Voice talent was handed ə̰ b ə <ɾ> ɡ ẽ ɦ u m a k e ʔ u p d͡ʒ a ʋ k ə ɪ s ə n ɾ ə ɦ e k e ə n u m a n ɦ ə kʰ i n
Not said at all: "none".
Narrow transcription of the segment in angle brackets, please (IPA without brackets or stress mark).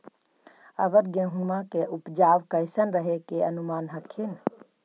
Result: ɾ